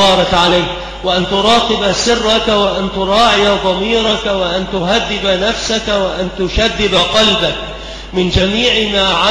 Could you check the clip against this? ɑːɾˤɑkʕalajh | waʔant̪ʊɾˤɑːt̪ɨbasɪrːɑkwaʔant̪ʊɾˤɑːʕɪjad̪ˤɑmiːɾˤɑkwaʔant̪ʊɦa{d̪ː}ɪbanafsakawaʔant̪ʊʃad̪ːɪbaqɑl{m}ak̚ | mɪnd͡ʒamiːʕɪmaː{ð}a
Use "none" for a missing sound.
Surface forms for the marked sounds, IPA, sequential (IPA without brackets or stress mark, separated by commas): d̪ː, b, ʕ